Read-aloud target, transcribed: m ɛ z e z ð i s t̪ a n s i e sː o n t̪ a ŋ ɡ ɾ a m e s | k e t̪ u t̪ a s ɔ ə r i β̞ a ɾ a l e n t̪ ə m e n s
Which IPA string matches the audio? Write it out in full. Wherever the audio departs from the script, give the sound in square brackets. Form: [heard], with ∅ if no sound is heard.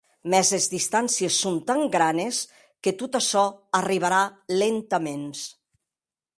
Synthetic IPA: m ɛ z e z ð i s t̪ a n s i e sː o n t̪ a ŋ ɡ ɾ a [n] e s | k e t̪ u t̪ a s ɔ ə r i β̞ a ɾ a l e n t̪ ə m e n s